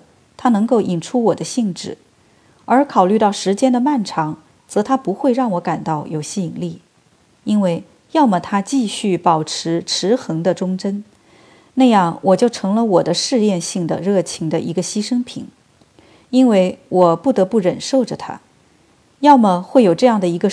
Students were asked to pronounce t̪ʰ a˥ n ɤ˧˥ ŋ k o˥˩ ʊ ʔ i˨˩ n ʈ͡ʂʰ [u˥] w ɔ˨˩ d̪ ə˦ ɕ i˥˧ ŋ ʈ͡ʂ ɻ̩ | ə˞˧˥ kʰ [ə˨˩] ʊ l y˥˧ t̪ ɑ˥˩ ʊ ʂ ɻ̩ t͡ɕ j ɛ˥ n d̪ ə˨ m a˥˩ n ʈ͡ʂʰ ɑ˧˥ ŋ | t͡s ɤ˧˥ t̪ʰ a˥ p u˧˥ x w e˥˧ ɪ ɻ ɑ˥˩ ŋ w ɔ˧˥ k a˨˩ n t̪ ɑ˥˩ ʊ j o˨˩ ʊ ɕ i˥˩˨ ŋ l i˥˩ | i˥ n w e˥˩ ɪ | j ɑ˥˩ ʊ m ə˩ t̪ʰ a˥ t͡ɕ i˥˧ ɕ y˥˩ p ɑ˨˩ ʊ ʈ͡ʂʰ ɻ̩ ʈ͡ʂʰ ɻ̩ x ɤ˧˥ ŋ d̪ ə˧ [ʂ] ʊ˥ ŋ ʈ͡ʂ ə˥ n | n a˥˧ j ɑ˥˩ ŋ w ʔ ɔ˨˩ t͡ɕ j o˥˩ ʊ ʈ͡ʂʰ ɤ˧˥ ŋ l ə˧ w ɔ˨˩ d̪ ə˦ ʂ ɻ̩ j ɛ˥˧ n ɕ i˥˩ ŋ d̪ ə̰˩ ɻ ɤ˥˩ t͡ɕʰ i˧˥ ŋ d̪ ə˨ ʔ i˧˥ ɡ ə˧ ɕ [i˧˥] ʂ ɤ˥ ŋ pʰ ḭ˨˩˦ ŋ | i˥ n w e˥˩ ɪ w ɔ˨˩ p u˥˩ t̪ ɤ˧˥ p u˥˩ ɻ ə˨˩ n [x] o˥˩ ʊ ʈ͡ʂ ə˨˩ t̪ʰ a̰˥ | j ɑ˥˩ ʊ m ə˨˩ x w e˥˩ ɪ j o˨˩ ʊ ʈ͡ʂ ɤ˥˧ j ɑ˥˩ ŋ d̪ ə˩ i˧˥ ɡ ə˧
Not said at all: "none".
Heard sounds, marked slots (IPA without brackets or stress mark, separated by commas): u˥, ɑ˨˩, ʈ͡ʂ, i˥, ʂ